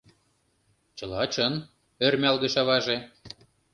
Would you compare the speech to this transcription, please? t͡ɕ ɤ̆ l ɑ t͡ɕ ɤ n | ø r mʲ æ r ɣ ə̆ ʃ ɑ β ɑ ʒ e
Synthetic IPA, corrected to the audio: t͡ɕ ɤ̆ l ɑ t͡ɕ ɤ n | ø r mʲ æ l ɣ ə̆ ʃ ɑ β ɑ ʒ e

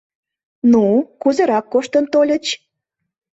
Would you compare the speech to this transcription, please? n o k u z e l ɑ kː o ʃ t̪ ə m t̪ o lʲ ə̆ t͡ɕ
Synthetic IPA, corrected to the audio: n u k u z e ɾ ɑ kː o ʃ t̪ ə n t̪ o lʲ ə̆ t͡ɕ

